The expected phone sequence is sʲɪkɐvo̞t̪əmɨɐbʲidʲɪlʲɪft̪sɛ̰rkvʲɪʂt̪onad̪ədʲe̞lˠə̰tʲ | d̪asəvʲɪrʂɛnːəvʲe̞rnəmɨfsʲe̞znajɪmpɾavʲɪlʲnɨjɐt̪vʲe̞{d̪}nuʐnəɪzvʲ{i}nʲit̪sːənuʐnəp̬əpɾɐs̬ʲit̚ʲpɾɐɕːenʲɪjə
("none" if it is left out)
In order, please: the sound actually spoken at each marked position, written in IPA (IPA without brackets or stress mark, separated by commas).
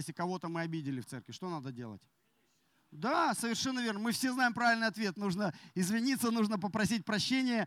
t̪, ɪ